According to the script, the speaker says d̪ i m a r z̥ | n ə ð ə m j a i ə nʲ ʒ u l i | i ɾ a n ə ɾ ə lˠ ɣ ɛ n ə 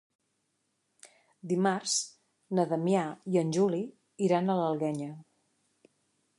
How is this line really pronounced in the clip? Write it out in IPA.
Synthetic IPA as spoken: d̪ i m a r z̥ | n ə ð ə m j a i ə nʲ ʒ u l i | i ɾ a n ə l ə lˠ ɣ ɛ ɲ ə